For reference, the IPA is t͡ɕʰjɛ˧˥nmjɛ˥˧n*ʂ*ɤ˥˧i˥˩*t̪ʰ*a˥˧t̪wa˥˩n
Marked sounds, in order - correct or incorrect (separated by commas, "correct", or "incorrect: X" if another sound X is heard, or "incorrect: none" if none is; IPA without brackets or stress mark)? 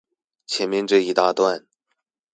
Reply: incorrect: ʈ͡ʂ, incorrect: t̪